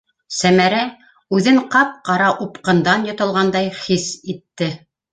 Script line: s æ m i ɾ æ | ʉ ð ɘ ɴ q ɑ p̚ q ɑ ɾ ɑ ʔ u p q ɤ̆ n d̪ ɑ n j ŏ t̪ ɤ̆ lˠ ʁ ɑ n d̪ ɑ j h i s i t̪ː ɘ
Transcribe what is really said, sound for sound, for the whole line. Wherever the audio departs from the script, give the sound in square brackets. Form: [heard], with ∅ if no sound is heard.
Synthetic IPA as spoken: s æ m [æ] ɾ æ | ʉ ð ɘ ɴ q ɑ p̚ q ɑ ɾ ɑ ʔ u p q ɤ̆ n d̪ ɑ n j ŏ t̪ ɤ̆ lˠ ʁ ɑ n d̪ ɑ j [χ] i s i t̪ː ɘ